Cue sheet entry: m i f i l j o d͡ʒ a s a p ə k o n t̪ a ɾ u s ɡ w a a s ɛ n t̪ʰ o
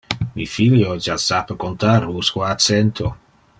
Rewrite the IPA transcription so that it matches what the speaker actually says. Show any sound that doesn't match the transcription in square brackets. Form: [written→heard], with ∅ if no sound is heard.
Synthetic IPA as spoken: m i f i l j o d͡ʒ a s a p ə k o n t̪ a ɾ u s [ɡ→k] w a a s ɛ n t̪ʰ o